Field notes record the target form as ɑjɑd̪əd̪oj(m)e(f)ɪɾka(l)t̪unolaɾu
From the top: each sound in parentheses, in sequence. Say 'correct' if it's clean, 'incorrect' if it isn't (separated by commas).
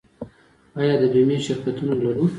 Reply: correct, incorrect, incorrect